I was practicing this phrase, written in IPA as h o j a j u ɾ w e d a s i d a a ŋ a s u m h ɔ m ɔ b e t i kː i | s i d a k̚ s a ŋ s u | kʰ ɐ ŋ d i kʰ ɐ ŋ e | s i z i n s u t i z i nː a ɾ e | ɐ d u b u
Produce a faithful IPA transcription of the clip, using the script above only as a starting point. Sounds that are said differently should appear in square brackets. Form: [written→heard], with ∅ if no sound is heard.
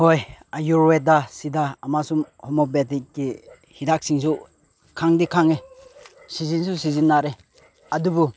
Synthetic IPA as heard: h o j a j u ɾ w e d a s i d a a [ŋ→m] a s u m h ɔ m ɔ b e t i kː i | [s→h] i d a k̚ s [a→i] ŋ s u | kʰ [ɐ→a] ŋ d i kʰ [ɐ→a] ŋ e | s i z i n s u [t→s] i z i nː a ɾ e | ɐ d u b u